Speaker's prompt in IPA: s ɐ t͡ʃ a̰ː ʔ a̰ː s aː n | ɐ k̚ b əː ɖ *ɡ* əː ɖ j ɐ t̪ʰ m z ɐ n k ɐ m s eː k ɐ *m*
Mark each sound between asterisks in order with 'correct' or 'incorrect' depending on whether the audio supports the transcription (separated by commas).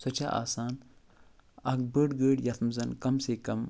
correct, correct